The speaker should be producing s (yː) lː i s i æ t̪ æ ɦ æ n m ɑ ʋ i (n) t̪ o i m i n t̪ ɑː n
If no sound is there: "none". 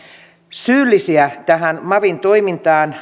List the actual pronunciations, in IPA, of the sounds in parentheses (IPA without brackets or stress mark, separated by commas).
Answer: yː, n